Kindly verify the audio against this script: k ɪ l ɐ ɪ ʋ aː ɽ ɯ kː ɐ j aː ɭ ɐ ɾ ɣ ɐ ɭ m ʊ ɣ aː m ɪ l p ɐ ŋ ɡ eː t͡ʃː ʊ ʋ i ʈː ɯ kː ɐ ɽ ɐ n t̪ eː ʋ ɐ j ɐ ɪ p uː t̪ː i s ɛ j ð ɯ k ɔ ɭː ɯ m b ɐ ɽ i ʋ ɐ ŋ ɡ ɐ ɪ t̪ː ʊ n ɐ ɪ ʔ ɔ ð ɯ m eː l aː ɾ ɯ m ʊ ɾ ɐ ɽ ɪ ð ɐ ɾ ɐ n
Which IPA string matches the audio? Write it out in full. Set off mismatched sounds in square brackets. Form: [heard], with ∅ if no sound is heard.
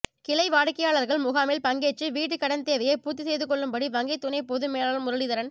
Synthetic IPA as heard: k ɪ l ɐ ɪ ʋ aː ɽ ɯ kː ɐ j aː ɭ ɐ ɾ ɣ ɐ ɭ m ʊ ɣ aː m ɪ l p ɐ ŋ ɡ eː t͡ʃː [ɯ] ʋ [iː] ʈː ɯ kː ɐ ɽ ɐ n t̪ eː ʋ ɐ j ɐ ɪ p uː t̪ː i s ɛ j ð ɯ k ɔ ɭː ɯ m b ɐ ɽ i ʋ ɐ ŋ ɡ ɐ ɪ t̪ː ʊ n ɐ ɪ [p] ɔ ð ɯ m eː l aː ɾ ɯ m ʊ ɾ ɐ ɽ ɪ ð ɐ ɾ ɐ n